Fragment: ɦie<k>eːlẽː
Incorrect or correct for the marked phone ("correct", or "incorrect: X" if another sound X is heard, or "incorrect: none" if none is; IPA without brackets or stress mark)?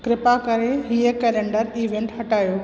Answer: correct